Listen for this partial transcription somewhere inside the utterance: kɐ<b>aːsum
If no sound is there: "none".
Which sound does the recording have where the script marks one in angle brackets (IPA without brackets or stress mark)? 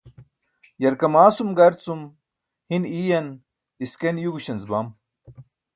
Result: m